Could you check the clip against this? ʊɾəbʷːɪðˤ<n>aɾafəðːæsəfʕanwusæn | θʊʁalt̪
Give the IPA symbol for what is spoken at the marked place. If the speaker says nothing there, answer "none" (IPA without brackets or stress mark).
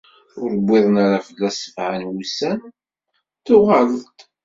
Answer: n